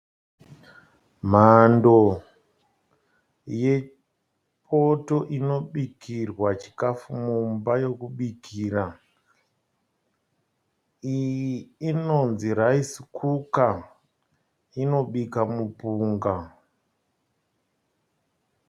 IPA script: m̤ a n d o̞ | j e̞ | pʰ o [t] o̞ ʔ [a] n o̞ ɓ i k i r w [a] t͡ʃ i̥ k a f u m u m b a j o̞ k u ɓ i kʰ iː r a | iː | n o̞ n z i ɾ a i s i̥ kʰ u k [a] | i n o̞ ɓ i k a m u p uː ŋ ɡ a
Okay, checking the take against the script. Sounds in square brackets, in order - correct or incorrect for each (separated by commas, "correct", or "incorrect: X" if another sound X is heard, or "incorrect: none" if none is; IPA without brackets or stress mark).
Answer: correct, incorrect: i, correct, correct